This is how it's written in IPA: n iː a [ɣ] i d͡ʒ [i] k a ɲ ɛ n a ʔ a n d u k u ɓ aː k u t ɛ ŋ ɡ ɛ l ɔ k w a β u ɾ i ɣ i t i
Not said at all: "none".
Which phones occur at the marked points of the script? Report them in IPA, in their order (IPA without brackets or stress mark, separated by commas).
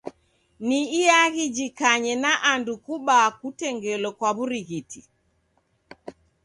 ɣ, i